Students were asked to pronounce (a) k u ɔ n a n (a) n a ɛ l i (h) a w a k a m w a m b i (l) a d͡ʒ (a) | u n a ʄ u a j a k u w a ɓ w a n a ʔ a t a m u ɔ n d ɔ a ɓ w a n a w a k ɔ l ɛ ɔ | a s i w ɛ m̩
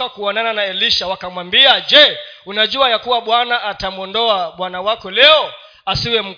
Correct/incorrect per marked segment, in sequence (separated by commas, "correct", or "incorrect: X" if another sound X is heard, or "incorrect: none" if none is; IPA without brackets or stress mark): correct, correct, incorrect: ʃ, incorrect: none, incorrect: ɛ